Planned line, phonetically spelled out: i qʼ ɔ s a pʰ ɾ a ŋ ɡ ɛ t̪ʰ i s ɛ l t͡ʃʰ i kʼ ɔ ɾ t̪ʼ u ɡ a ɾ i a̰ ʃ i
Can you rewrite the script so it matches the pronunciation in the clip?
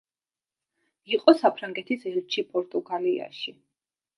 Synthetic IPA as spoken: i qʼ ɔ s a pʰ ɾ a ŋ ɡ ɛ t̪ʰ i s ɛ l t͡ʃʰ i pʼ ɔ ɾ t̪ʼ u ɡ a l i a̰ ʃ i